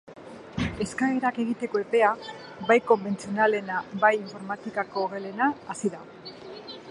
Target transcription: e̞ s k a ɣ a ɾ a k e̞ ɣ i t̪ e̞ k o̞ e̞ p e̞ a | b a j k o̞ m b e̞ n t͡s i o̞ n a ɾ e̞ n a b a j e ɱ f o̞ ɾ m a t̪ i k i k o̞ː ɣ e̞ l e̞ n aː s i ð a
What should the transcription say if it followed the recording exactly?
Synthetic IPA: e̞ s k a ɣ e ɾ a k e̞ ɣ i t̪ e̞ k o̞ e̞ p e̞ a | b a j k o̞ m b e̞ n t͡s i o̞ n a l e̞ n a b a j i ɱ f o̞ ɾ m a t̪ i k a k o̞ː ɣ e̞ l e̞ n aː s i ð a